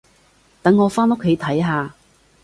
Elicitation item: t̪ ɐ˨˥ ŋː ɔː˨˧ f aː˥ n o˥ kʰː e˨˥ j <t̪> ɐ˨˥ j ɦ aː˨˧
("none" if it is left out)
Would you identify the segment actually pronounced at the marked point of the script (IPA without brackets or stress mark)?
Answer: t̪ʰ